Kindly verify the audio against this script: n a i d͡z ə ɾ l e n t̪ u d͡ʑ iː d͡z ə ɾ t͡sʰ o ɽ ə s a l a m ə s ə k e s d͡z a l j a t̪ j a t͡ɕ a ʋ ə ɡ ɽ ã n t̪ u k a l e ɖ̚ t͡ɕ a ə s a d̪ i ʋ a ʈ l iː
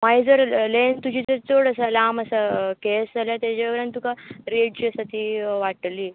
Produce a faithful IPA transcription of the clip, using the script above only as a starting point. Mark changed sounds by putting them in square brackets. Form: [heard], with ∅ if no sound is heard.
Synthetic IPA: [m] a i d͡z ə ɾ l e n t̪ u d͡ʑ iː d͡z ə ɾ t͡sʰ o ɽ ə s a l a m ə s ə k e s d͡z a l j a t̪ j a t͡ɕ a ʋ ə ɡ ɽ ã n t̪ u k a [ɾ] e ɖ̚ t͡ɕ [i] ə s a [t̪] i ʋ a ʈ l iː